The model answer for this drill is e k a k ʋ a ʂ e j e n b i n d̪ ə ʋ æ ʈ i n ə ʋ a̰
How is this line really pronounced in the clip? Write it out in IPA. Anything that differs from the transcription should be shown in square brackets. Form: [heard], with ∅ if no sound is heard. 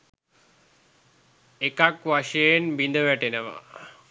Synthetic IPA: e k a k ʋ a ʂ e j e n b i n d̪ ə ʋ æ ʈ [e] n ə ʋ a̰